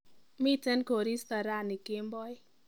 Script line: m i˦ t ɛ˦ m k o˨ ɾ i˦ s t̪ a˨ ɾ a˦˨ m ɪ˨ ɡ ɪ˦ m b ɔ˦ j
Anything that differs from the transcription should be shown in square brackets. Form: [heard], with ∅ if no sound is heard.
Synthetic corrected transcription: m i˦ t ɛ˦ [n] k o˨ ɾ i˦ s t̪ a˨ ɾ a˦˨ [n] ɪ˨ [k] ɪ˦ m b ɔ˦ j